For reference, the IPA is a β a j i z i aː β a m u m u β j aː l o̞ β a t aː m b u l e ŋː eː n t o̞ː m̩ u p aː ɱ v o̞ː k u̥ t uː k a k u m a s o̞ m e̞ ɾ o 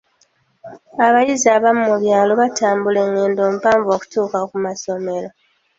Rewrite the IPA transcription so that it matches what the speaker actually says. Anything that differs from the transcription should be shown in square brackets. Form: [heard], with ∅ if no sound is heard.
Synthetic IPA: a β a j i z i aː β a m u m u β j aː l o̞ β a t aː m b u l e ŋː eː n [d] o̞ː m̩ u p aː ɱ v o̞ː k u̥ t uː k a k u m a s o̞ m e̞ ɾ o